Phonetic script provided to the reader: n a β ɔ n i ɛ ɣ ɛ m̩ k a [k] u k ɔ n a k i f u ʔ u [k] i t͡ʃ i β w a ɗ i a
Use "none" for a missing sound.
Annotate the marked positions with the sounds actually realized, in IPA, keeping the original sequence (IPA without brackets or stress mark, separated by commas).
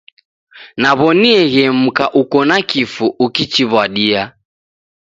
ʔ, k